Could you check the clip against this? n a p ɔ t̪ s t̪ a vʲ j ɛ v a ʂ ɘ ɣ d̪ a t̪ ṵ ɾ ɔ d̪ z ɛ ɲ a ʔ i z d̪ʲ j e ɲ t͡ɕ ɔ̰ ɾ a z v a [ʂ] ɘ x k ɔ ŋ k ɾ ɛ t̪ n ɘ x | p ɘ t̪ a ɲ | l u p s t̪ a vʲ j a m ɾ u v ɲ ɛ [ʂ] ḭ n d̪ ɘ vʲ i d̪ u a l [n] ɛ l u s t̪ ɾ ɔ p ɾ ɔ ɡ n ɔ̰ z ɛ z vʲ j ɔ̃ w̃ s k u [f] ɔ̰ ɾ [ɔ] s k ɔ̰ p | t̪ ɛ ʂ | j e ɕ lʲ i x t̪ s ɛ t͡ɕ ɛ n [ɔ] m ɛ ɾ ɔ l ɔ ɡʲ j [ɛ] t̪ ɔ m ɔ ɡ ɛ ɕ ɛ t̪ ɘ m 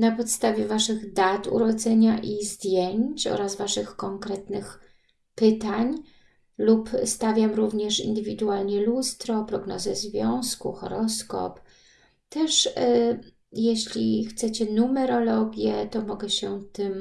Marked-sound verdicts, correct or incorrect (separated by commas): correct, correct, incorrect, incorrect, correct, incorrect, correct